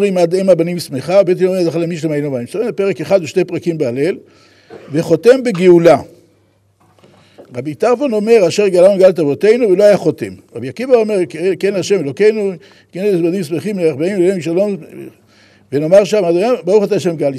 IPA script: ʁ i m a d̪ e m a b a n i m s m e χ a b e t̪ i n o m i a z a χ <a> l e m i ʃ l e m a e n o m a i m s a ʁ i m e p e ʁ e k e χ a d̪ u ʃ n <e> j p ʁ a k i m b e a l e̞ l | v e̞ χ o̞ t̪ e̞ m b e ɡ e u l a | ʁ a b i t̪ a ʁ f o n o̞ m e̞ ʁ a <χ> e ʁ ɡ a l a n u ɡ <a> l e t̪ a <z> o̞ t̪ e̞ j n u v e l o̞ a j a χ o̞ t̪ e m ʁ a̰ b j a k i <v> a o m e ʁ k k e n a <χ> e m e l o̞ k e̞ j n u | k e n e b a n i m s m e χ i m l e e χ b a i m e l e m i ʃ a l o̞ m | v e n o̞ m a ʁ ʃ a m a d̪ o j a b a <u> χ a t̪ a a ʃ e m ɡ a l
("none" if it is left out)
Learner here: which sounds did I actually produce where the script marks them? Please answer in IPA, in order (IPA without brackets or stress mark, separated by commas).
a, e, ʃ, a, v, v, ʃ, u